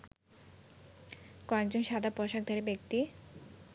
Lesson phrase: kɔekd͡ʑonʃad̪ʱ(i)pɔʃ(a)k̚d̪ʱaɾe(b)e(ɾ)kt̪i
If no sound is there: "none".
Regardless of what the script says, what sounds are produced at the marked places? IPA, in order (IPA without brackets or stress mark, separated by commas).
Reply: a, a, b, none